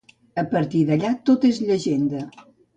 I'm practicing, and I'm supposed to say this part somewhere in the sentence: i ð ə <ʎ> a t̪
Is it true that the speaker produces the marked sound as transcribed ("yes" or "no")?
yes